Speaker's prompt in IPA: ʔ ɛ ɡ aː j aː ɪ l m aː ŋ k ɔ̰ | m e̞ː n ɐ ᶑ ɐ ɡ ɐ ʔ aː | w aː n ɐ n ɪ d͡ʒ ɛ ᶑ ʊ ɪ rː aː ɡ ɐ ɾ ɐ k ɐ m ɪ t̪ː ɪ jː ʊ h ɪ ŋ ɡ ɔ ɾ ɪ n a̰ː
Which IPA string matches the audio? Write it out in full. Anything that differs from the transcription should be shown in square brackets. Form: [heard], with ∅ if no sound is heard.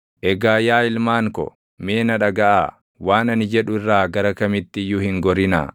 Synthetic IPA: ʔ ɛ ɡ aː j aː ɪ l m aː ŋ k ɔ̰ | m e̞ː n ɐ ᶑ ɐ ɡ ɐ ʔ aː | w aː n ɐ n ɪ d͡ʒ ɛ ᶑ ʊ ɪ rː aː ɡ ɐ ɾ ɐ k ɐ m ɪ t̪ː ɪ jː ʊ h ɪ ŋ ɡ ɔ ɾ ɪ n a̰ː